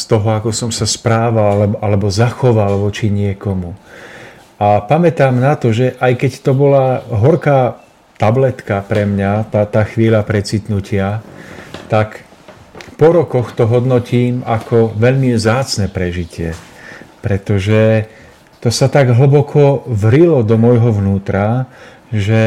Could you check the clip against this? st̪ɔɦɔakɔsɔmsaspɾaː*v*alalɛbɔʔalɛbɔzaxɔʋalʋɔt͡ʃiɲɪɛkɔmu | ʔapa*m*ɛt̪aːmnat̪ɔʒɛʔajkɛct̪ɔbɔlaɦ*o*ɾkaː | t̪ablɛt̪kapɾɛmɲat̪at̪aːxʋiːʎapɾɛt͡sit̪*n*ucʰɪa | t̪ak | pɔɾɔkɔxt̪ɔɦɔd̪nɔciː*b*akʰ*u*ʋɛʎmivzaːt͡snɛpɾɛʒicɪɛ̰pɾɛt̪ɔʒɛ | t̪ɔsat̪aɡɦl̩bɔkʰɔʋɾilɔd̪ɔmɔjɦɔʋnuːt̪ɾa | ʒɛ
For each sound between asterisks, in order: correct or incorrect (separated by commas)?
incorrect, correct, incorrect, correct, incorrect, incorrect